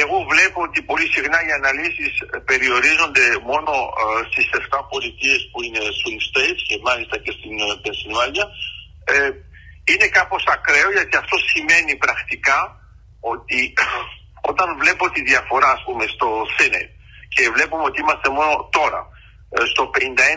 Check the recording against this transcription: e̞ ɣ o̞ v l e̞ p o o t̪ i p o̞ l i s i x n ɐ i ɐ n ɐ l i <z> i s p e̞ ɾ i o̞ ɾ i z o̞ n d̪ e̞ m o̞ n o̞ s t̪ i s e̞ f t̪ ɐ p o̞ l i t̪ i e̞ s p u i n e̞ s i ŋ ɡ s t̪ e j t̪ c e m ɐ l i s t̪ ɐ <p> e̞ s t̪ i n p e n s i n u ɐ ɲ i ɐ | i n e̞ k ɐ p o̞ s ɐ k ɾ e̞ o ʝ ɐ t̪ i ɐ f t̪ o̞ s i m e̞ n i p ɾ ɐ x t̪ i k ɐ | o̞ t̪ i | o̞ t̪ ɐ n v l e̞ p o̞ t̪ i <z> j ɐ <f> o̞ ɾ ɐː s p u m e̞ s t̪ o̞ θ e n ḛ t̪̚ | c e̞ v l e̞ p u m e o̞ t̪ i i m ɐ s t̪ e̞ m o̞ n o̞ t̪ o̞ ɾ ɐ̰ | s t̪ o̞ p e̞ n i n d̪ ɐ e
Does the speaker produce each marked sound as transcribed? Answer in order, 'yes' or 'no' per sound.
no, no, no, yes

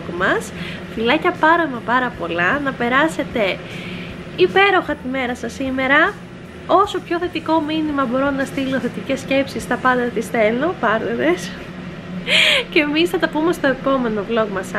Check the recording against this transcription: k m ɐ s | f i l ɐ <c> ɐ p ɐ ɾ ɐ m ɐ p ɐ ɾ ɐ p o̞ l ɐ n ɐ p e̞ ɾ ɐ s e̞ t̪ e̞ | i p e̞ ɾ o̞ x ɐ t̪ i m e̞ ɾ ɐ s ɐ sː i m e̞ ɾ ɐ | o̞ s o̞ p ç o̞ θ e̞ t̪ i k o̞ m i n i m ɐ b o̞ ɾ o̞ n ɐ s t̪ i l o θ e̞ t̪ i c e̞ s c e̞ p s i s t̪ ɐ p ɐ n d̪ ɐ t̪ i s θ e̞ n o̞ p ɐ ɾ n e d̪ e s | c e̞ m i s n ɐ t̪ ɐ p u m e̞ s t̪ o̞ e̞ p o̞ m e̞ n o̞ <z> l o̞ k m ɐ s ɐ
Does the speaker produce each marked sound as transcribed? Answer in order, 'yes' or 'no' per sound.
yes, no

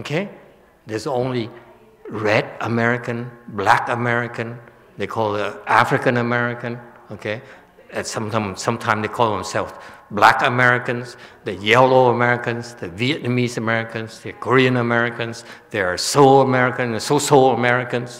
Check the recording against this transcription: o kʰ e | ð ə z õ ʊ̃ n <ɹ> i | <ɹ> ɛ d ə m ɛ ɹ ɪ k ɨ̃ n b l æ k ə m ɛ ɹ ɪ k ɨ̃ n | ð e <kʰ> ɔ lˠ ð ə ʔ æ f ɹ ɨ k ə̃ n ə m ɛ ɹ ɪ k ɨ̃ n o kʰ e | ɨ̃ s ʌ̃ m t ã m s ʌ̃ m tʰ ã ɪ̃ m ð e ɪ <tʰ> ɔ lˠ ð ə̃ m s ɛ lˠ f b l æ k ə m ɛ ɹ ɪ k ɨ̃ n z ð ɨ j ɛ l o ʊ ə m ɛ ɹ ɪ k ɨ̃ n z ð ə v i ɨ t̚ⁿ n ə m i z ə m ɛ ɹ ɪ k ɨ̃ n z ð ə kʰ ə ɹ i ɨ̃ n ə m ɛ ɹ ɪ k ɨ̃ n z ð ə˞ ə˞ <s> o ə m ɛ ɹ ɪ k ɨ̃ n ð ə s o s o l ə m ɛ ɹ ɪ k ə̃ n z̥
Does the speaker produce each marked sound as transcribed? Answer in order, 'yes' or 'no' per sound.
no, yes, yes, no, yes

